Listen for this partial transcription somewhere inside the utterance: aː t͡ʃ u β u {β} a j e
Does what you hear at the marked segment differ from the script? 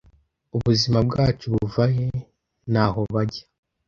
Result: yes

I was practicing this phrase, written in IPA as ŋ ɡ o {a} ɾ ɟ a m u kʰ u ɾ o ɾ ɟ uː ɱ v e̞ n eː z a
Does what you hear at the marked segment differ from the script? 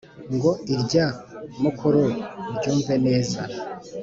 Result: yes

